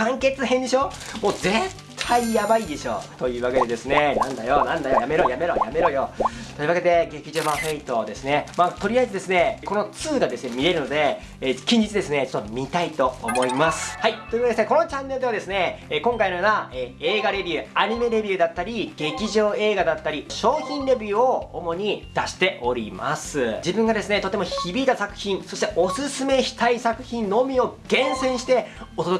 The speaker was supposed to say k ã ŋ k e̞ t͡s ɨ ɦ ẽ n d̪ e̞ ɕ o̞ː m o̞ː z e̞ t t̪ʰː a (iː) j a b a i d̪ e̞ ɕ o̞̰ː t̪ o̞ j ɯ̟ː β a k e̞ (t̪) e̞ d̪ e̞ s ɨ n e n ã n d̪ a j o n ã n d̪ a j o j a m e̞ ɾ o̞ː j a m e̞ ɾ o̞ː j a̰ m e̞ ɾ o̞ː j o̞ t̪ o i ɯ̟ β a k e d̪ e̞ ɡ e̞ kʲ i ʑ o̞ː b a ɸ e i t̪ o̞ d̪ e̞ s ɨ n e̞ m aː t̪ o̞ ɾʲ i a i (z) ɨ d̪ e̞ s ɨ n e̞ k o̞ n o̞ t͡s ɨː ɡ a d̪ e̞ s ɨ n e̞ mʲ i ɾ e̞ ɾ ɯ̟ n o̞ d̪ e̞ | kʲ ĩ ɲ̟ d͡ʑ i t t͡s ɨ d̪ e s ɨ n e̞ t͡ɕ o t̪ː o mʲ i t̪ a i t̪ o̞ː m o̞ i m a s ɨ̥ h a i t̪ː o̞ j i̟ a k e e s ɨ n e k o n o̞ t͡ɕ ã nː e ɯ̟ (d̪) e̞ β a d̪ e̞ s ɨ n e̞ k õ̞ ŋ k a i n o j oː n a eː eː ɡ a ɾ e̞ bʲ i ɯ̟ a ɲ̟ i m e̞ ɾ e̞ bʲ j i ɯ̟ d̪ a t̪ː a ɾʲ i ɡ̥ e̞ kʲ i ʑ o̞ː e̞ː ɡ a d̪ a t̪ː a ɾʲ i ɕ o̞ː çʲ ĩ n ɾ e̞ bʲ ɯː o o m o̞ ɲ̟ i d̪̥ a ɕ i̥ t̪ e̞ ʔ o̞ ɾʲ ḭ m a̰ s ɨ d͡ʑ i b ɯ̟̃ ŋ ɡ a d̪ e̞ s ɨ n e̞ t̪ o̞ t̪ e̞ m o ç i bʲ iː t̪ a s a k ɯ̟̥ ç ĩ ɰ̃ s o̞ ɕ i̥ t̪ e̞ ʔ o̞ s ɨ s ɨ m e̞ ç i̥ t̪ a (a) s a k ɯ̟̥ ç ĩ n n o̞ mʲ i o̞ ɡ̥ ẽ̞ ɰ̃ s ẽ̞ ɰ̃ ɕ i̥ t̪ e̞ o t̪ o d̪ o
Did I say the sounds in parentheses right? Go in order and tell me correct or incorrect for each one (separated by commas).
incorrect, incorrect, correct, correct, incorrect